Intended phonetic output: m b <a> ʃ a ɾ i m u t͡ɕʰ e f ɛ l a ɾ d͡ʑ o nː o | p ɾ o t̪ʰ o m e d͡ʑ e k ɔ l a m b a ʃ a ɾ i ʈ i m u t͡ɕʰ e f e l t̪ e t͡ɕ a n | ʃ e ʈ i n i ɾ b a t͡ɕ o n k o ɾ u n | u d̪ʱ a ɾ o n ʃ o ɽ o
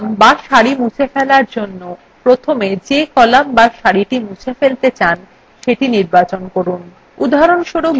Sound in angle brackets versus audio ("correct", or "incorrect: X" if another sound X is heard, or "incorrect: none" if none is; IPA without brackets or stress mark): correct